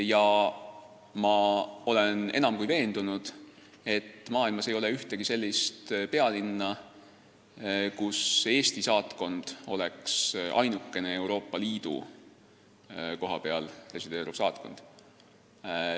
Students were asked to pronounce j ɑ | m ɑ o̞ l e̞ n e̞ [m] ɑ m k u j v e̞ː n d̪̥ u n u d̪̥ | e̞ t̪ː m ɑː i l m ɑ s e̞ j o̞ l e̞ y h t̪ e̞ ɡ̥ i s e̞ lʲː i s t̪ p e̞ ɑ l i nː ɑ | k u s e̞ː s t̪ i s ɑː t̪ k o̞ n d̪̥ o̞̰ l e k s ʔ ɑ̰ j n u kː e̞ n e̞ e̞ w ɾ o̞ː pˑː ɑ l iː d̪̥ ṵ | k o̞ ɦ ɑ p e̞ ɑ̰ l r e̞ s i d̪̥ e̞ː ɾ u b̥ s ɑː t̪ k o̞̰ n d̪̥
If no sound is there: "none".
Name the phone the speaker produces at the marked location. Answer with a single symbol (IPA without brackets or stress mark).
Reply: n